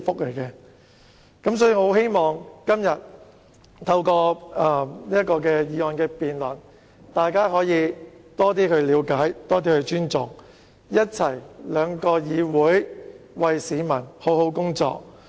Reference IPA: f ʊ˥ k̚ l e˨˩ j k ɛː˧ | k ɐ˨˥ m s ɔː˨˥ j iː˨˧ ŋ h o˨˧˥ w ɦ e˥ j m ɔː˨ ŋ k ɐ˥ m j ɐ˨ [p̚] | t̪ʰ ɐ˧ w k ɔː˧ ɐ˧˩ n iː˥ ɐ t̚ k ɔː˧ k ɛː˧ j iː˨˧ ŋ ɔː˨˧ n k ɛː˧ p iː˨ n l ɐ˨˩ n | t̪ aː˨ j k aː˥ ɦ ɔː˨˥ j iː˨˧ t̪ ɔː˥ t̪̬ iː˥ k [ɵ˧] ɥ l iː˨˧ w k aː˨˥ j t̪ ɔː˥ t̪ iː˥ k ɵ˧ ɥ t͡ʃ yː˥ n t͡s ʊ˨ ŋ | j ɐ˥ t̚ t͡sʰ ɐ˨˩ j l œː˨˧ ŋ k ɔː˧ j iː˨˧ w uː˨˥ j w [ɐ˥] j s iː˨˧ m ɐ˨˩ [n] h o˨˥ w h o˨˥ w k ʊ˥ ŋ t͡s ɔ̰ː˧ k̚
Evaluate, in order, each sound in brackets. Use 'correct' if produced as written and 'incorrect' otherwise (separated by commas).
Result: incorrect, correct, incorrect, correct